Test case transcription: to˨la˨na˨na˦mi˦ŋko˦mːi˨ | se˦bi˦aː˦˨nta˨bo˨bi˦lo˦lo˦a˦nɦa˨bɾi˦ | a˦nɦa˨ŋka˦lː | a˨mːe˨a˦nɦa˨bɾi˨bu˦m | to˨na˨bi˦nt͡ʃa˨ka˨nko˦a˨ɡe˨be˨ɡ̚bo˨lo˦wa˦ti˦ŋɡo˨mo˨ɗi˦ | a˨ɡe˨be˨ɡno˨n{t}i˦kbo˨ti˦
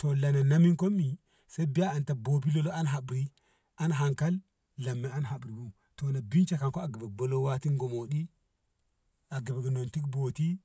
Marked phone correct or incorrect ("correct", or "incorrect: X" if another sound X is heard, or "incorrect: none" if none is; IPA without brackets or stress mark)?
correct